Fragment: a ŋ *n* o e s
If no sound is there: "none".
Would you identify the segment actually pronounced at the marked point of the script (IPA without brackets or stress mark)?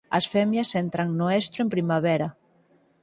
n